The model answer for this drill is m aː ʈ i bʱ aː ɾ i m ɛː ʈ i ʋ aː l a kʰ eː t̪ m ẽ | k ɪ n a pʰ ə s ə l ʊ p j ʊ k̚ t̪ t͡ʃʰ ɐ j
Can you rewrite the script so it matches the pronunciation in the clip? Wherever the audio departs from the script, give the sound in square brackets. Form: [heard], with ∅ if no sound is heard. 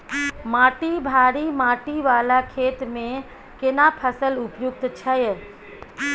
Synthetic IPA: m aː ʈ i bʱ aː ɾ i m [aː] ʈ i ʋ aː l a kʰ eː t̪ m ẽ | k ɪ n a pʰ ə s ə l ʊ p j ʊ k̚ t̪ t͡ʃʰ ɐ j